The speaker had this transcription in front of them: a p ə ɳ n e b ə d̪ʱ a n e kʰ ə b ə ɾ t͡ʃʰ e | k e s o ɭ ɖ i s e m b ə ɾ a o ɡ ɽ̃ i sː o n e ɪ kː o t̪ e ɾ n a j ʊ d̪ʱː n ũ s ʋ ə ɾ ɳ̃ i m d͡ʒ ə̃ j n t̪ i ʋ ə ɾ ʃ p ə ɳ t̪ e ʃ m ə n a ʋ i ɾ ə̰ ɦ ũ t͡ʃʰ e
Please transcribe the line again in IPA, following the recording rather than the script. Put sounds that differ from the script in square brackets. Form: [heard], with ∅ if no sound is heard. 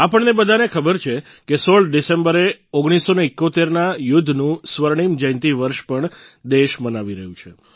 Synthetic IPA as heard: a p ə ɳ n e b ə d̪ʱ a n e kʰ ə b ə ɾ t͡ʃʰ e | k e s o ɭ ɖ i s e m b ə ɾ [e] o ɡ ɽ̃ i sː o n e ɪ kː o t̪ e ɾ n a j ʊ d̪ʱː n ũ s ʋ ə ɾ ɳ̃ i m d͡ʒ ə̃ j n t̪ i ʋ ə ɾ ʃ p ə ɳ [d̪] e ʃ m ə n a ʋ i ɾ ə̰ ɦ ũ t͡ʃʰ e